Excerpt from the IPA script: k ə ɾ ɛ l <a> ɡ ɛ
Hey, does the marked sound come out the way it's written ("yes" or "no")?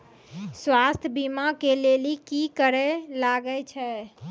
yes